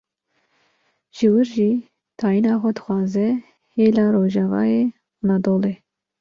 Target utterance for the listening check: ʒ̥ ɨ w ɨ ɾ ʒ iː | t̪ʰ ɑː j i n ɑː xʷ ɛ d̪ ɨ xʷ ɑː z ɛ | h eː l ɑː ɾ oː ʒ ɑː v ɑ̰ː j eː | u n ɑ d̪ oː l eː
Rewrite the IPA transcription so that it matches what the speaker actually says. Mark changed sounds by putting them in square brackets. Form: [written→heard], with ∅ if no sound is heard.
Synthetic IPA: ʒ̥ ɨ w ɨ ɾ ʒ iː | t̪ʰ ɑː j i n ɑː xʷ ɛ d̪ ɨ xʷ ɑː z ɛ | h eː l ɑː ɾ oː ʒ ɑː v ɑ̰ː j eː | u n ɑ d̪ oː l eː